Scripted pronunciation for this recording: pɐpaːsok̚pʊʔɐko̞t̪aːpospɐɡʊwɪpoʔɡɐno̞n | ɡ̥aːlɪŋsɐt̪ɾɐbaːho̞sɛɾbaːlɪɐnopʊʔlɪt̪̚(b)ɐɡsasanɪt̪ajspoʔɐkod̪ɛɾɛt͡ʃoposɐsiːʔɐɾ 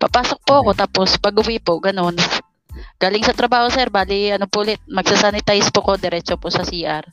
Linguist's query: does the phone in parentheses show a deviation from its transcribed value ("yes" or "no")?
yes